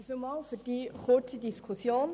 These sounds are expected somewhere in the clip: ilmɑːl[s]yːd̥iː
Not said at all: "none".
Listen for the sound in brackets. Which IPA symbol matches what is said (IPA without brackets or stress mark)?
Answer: f